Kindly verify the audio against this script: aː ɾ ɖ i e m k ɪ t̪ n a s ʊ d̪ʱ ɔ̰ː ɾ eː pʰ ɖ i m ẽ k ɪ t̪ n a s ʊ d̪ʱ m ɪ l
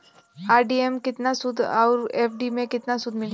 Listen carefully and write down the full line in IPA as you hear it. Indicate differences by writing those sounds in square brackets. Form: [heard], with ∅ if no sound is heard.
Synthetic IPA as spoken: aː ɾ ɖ i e m k ɪ t̪ n a s ʊ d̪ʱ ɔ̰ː ɾ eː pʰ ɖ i m ẽ k ɪ t̪ n a s ʊ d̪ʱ m ɪ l